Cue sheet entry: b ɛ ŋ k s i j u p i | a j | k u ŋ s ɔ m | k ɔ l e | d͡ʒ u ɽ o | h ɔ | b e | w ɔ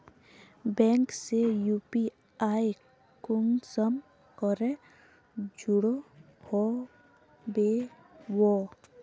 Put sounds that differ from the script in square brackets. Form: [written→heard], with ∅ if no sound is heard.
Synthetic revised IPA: b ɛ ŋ k s [i→e] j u p i | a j | k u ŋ s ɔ m | k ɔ [l→ɾ] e | d͡ʒ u ɽ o | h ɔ | b e | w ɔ